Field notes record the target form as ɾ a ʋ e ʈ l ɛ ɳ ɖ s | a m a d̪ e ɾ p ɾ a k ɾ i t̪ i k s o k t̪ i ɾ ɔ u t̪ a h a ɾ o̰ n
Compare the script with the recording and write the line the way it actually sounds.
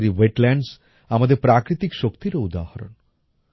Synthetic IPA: ɾ i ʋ e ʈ l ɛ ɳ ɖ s | a m a d̪ e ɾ p ɾ a k ɾ i t̪ i k ʃ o k t̪ i ɾ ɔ u d̪ a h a ɾ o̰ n